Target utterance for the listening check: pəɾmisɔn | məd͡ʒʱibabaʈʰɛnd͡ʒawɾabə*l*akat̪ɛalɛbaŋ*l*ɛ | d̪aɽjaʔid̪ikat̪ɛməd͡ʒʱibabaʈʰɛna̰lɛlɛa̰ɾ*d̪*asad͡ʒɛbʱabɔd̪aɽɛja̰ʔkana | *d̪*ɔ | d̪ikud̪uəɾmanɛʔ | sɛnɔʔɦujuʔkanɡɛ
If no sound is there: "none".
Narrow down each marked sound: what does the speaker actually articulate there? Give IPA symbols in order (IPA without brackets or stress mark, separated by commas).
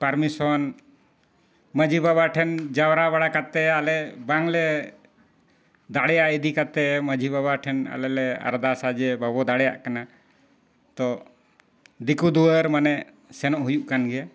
ɽ, l, d̪, t̪